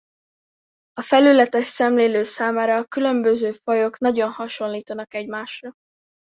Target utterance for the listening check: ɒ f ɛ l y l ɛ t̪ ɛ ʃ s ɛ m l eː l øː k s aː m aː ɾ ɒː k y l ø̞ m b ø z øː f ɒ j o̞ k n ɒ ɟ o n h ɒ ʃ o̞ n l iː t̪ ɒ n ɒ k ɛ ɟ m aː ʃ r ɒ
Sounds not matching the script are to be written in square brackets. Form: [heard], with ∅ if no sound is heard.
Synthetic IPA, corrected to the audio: ɒ f ɛ l y l ɛ t̪ ɛ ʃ s ɛ m l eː l øː [∅] s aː m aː ɾ ɒː k y l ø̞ m b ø z øː f ɒ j o̞ k n ɒ ɟ o n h ɒ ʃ o̞ n l iː t̪ ɒ n ɒ k ɛ ɟ m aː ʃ r ɒ